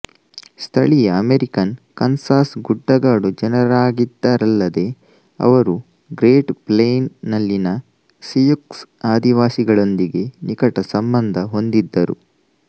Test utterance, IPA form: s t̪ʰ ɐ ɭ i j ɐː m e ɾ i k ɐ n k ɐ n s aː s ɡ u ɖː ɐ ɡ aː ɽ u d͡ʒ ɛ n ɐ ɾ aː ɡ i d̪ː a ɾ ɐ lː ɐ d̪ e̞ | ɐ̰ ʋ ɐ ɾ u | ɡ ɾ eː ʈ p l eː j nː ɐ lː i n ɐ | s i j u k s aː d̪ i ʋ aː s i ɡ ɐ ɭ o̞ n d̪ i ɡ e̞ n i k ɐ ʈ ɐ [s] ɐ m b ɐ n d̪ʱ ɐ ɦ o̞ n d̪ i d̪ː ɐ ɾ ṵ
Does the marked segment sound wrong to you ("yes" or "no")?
no